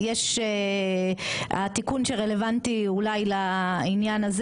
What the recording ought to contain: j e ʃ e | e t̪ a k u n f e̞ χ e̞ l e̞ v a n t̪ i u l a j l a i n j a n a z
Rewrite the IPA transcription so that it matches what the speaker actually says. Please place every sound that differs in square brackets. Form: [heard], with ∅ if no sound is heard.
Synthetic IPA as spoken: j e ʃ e | [a] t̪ [i] k u n [ʃ] e̞ [ʁ] e̞ l e̞ v a n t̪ i u l a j l a i n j a n a z